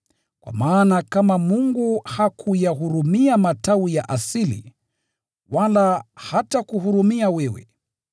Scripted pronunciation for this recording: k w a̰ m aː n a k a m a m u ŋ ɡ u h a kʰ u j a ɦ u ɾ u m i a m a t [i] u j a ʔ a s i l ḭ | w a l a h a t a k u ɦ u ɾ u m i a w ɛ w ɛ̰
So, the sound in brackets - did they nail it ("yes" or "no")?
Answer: no